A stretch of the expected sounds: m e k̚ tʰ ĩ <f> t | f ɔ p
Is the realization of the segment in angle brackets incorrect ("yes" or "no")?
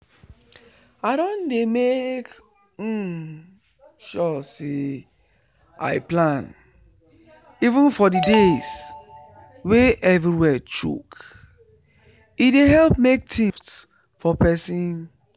no